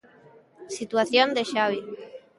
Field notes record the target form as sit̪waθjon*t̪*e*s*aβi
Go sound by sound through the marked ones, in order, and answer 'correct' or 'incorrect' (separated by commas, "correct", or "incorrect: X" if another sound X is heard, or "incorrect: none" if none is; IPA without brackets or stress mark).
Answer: incorrect: d̪, incorrect: ʃ